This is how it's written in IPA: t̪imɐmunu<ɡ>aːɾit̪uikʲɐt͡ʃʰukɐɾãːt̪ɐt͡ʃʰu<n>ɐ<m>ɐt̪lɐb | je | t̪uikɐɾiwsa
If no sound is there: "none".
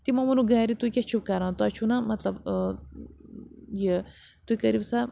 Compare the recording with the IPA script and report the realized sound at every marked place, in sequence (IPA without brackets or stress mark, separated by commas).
ɡ, n, m